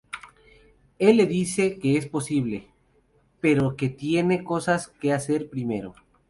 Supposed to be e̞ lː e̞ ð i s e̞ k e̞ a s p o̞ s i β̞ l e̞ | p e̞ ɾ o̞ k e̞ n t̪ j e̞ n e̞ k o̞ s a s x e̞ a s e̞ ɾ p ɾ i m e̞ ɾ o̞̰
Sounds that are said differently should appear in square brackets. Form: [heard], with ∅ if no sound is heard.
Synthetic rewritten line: e̞ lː e̞ ð i s e̞ k e̞ [e] s p o̞ s i β̞ l e̞ | p e̞ ɾ o̞ k e̞ [∅] t̪ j e̞ n e̞ k o̞ s a s [k] e̞ a s e̞ ɾ p ɾ i m e̞ ɾ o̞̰

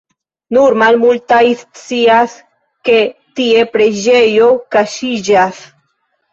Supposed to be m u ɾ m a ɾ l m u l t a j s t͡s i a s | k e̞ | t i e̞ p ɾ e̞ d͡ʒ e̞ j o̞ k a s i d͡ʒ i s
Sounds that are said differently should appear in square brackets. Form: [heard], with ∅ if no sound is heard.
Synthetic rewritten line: [n] u ɾ m a [∅] l m u l t a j s t͡s i a s | k e̞ | t i e̞ p ɾ e̞ d͡ʒ e̞ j o̞ k a [ʃ] i d͡ʒ [a] s

